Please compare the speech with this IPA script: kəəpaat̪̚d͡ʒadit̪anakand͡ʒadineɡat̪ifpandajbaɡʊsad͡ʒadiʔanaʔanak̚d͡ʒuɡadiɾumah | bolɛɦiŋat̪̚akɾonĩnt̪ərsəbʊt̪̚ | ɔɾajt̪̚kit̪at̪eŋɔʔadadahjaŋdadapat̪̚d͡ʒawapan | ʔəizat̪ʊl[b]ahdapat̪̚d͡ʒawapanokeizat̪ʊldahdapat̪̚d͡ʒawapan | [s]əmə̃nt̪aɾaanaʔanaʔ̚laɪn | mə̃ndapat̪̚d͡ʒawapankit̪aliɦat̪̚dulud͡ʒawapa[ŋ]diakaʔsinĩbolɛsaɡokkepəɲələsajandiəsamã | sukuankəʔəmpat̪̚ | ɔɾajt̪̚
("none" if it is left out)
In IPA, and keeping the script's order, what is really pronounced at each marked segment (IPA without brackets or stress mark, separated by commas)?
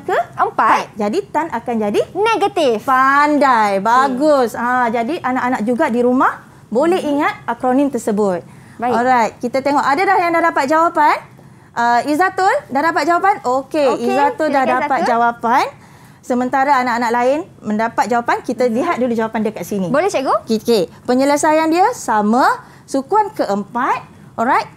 d, s, n